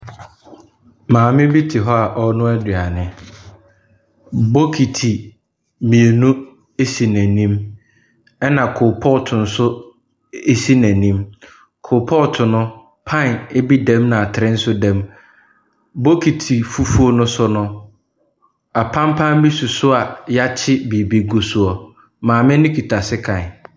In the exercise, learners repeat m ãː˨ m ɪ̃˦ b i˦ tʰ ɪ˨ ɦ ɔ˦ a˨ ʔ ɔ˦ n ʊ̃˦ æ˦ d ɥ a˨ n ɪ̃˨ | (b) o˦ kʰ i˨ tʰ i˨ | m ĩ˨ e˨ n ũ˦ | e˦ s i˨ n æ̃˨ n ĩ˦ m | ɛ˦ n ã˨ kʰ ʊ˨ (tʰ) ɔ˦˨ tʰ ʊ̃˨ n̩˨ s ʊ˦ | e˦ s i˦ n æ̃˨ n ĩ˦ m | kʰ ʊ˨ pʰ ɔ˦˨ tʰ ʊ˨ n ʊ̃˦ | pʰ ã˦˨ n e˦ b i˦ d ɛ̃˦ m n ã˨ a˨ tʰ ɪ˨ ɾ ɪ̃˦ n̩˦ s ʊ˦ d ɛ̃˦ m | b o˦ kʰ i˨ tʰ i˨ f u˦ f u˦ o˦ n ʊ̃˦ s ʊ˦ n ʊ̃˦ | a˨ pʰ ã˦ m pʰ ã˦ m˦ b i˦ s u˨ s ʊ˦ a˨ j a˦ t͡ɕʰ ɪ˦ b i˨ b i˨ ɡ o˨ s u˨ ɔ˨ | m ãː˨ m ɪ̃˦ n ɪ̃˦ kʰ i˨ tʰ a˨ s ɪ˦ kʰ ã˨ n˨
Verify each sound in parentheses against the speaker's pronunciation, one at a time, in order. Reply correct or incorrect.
correct, incorrect: pʰ

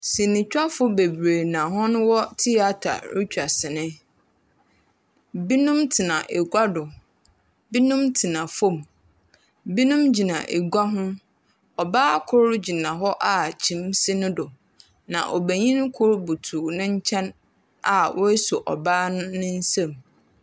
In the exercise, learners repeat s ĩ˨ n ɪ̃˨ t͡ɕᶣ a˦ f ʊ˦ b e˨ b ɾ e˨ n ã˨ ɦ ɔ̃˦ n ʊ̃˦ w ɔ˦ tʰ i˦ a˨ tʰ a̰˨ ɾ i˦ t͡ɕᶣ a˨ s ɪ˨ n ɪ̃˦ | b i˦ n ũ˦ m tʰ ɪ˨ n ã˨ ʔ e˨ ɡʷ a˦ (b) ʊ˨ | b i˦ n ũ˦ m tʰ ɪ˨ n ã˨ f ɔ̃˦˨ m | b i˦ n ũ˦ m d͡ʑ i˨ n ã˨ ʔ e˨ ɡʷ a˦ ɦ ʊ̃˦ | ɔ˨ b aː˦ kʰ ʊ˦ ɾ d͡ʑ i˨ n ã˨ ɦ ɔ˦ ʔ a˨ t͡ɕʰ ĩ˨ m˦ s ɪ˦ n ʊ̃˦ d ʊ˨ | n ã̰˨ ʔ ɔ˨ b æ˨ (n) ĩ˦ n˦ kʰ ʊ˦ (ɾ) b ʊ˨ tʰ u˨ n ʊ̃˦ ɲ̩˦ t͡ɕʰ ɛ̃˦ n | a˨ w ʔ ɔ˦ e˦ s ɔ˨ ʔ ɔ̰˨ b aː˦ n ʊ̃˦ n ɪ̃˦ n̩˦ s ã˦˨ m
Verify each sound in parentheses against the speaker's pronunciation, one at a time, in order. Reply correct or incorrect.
incorrect: d, incorrect: ɲ, correct

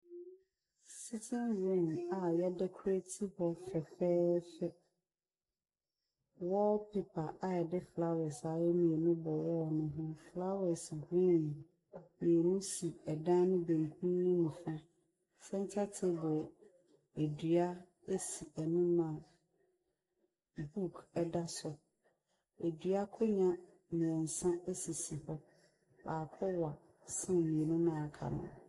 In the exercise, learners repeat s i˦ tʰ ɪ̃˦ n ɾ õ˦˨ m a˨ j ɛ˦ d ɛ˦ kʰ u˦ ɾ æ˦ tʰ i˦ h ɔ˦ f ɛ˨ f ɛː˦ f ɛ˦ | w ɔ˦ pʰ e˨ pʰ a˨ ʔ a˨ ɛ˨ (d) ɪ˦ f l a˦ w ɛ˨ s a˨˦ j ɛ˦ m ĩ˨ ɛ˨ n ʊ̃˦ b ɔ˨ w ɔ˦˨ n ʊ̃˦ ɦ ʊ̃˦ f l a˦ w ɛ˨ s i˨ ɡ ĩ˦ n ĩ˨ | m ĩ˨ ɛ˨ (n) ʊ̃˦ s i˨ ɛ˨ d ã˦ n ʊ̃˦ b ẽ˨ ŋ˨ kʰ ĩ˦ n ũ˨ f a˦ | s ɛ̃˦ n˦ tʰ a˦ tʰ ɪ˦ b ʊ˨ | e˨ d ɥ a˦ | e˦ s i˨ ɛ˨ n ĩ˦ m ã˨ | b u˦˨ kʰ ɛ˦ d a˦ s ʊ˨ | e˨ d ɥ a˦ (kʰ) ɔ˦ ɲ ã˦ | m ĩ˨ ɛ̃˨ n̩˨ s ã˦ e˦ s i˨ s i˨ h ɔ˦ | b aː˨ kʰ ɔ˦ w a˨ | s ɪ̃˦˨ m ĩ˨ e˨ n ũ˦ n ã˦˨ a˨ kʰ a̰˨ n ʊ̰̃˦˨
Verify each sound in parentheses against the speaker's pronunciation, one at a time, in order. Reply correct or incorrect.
correct, correct, correct

